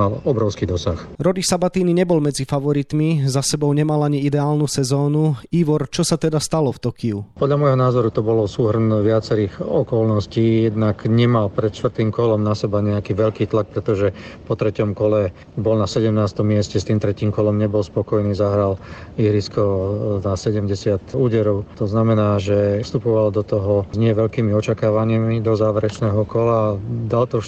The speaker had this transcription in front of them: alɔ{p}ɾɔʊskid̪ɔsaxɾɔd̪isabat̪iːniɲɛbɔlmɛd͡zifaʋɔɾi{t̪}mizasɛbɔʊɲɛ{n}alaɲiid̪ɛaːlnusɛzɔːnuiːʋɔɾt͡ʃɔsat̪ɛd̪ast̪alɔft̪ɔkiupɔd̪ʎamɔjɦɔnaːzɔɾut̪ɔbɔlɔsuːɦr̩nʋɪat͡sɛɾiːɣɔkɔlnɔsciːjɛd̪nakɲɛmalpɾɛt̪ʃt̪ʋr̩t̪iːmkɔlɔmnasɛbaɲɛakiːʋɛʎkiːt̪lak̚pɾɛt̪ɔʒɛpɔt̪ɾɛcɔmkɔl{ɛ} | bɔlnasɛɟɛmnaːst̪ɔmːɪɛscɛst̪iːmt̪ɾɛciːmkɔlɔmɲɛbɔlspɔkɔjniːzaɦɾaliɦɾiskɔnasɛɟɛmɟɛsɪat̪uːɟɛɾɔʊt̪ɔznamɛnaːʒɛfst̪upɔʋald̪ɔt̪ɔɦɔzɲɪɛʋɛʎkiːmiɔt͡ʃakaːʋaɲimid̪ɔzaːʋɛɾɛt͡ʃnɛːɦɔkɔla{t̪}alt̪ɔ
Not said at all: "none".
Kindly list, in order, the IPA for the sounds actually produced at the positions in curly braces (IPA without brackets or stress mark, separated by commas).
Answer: b, t̪, m, ɛ, d̪